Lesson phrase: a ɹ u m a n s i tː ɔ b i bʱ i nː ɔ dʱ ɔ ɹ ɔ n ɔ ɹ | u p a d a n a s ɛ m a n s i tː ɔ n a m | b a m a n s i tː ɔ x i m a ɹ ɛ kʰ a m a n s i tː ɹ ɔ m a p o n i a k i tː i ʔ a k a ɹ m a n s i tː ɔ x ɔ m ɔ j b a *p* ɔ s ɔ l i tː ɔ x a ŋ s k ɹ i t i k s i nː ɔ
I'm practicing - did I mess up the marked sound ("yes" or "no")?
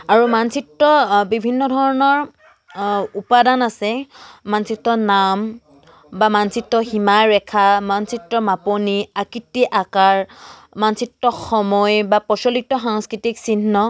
no